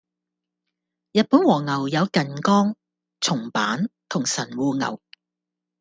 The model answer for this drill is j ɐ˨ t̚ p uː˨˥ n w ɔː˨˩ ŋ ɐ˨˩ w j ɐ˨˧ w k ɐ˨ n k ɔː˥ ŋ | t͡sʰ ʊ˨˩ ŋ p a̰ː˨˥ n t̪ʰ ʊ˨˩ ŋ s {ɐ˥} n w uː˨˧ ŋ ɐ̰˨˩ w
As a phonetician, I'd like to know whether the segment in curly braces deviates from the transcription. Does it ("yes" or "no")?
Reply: yes